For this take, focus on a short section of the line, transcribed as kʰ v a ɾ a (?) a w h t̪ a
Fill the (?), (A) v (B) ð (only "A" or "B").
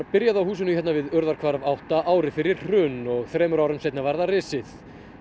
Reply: A